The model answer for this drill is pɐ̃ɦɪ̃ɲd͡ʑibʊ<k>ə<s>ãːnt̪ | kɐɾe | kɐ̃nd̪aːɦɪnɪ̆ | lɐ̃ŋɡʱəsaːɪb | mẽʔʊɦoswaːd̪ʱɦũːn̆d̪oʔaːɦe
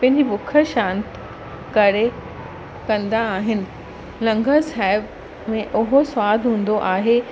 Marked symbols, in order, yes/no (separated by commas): no, no